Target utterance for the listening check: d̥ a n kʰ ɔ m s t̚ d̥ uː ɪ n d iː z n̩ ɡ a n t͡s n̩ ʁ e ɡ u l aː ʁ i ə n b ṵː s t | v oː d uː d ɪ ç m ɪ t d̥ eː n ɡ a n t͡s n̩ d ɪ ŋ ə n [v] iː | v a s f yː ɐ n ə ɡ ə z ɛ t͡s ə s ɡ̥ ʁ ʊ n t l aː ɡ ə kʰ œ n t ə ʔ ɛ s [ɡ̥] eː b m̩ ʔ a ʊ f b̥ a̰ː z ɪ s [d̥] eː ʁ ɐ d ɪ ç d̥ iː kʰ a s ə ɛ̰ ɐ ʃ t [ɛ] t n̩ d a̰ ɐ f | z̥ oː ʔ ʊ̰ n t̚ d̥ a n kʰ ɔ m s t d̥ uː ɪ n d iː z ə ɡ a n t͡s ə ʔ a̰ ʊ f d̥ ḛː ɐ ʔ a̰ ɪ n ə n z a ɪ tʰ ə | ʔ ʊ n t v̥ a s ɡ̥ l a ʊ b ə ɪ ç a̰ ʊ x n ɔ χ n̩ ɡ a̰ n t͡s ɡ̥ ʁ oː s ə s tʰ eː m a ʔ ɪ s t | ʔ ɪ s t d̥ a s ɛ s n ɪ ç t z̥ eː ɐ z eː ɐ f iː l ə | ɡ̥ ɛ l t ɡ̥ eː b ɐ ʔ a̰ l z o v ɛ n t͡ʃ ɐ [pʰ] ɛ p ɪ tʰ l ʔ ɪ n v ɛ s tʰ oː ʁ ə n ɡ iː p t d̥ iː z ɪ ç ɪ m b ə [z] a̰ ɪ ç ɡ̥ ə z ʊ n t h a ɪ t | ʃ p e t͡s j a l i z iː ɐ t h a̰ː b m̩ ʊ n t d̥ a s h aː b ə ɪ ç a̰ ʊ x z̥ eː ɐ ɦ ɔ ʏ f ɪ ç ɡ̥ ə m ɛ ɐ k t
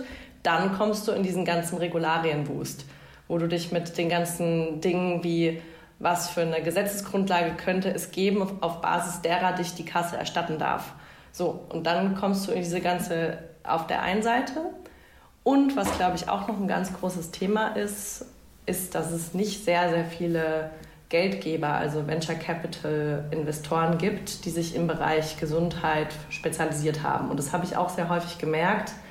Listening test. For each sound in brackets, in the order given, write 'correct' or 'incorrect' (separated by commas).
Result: correct, correct, correct, incorrect, incorrect, incorrect